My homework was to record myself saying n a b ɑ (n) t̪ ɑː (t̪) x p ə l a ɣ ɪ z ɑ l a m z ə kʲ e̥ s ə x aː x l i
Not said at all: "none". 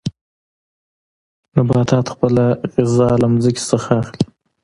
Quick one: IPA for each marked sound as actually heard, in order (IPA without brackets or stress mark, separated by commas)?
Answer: none, t̪